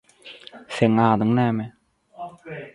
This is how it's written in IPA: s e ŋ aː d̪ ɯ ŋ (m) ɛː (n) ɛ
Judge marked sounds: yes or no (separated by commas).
no, no